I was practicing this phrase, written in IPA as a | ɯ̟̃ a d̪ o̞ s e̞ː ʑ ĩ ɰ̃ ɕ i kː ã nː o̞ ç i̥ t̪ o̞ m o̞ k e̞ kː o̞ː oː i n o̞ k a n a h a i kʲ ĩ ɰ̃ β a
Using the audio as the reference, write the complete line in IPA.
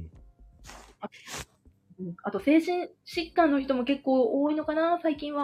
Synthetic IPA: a | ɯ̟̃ a t̪ o̞ s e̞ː ʑ ĩ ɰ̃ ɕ i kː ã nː o̞ ç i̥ t̪ o̞ m o̞ k e̞ kː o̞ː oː i n o̞ k a n a s a i kʲ ĩ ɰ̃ β a